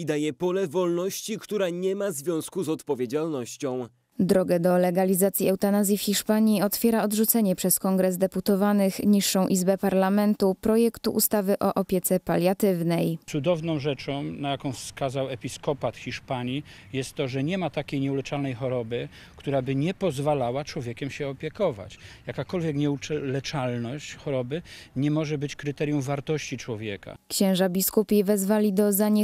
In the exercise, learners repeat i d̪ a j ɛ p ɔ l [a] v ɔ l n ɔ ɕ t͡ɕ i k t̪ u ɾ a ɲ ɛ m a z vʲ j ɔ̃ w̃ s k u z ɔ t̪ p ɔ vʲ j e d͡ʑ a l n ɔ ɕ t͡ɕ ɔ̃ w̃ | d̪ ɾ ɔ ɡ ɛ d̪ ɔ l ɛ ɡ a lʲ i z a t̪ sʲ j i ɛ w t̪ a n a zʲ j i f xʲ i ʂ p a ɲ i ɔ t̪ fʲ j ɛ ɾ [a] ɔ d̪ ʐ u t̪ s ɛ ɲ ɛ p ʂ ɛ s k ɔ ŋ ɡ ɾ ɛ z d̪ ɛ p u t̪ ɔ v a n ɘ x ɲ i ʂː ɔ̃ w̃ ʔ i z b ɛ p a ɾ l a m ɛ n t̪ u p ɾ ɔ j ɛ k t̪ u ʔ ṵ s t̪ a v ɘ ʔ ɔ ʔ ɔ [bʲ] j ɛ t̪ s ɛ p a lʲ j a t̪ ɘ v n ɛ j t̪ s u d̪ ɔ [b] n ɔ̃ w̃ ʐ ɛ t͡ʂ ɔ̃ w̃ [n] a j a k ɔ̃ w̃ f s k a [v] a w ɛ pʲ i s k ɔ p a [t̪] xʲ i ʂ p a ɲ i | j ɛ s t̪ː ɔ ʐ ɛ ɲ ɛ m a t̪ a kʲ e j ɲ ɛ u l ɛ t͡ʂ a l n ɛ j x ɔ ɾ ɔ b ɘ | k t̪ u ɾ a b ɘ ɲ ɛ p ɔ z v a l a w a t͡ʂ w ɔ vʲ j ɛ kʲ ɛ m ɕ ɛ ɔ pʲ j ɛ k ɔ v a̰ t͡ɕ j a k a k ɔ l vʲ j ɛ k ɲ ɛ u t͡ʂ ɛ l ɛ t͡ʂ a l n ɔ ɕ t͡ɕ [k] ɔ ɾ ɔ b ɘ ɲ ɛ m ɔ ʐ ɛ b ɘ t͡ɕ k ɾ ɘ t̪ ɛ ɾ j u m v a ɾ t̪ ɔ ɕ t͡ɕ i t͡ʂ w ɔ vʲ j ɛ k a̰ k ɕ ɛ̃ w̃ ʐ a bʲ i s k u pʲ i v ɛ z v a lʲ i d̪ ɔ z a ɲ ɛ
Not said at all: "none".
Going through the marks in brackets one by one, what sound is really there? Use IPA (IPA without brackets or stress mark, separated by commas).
ɛ, a, pʲ, v, n, z, t̪, x